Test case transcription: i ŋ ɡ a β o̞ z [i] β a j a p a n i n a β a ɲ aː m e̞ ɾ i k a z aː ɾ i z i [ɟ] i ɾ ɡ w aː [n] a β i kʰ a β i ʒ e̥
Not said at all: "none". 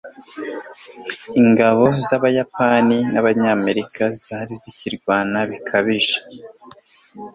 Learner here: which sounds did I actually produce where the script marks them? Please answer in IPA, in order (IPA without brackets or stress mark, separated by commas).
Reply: a, c, n